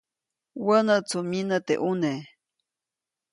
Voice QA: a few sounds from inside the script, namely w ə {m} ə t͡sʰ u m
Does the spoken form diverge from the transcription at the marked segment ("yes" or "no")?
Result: yes